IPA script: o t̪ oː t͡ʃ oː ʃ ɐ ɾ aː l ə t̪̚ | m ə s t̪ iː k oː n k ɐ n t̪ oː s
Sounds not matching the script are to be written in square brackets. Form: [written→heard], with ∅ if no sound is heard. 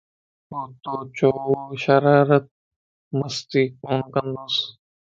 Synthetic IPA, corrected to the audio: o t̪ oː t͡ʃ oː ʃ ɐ ɾ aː [l→ɾ] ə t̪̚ | m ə s t̪ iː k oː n k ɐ n [t̪→d̪] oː s